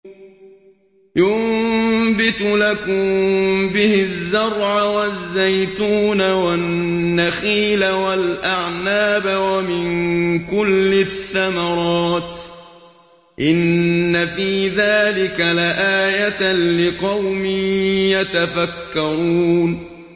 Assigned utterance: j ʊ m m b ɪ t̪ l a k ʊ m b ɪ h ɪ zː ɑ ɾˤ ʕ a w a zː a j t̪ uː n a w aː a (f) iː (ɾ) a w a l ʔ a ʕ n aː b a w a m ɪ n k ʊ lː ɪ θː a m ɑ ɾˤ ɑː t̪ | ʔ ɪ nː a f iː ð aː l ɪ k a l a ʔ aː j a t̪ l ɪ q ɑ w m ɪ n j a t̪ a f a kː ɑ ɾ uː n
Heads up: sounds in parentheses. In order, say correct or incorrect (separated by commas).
incorrect, incorrect